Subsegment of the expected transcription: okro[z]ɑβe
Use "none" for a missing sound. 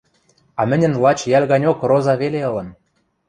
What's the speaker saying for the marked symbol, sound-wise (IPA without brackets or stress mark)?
z